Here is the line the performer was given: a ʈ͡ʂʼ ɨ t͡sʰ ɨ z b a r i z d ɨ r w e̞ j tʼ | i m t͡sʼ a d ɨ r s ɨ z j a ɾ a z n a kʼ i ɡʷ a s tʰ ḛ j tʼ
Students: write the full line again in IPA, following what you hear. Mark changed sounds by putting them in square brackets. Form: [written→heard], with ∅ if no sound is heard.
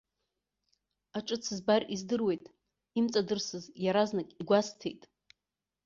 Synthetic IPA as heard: a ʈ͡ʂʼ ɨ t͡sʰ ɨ z b a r i z d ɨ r w e̞ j tʼ | i m t͡sʼ a d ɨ r s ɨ z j a ɾ a z n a kʼ i ɡʷ a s tʰ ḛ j tʼ